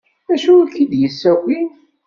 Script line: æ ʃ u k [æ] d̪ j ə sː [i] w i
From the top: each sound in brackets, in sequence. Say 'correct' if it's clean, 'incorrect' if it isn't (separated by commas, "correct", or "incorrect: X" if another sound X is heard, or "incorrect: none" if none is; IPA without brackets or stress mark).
incorrect: i, incorrect: æ